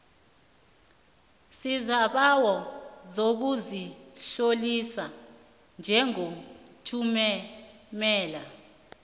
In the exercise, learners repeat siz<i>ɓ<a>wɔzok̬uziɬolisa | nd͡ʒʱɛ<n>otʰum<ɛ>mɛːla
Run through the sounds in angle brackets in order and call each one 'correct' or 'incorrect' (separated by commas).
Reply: incorrect, correct, incorrect, correct